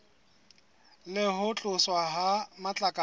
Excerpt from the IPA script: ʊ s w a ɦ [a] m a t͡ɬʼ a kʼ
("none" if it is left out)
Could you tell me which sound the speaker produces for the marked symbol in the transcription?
a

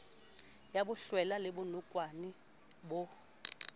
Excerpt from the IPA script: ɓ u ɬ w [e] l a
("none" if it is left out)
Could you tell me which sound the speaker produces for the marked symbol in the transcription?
ɛ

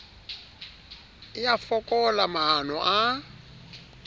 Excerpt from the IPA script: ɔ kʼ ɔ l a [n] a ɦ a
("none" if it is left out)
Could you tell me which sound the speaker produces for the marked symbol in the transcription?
m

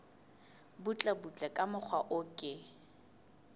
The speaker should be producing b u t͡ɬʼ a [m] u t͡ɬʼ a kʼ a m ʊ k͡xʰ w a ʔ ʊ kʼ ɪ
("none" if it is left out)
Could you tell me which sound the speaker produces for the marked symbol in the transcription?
b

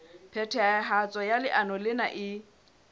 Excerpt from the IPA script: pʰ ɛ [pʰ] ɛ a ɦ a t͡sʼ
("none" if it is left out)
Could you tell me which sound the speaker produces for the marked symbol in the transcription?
tʰ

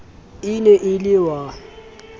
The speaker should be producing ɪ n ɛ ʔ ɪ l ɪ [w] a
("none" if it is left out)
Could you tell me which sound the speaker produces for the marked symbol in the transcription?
w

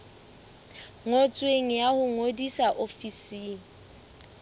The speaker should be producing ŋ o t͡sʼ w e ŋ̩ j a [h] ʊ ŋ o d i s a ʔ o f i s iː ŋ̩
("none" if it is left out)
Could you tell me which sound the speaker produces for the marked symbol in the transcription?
h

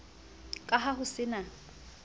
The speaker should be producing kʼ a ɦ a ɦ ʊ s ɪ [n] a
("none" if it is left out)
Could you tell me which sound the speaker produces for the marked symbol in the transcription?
n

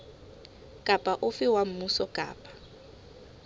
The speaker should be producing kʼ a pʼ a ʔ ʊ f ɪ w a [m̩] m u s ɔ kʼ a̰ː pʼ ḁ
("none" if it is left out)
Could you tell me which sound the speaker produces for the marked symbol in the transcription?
m̩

